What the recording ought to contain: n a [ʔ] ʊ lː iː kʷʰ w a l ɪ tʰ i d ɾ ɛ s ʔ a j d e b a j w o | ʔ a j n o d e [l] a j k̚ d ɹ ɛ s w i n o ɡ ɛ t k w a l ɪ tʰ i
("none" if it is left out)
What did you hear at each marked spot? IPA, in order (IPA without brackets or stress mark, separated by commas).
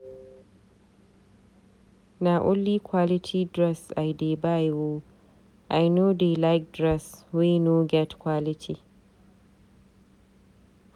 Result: ʔ, l